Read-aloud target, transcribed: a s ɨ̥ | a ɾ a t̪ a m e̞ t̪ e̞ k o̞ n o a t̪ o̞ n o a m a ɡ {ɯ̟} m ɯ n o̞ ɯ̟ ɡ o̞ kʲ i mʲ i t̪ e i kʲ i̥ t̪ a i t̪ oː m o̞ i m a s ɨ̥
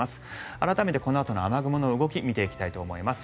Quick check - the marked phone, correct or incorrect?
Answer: correct